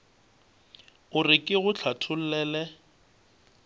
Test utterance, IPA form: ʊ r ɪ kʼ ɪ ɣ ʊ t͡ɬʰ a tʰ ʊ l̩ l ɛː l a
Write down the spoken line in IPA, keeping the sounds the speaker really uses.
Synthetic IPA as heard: ʊ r ɪ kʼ ɪ ɣ ʊ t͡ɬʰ a tʰ ʊ l̩ l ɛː l ɛ